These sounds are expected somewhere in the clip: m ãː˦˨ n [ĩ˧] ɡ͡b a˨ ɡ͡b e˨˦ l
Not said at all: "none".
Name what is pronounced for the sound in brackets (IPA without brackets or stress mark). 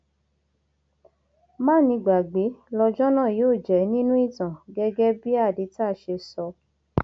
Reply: ĩ˧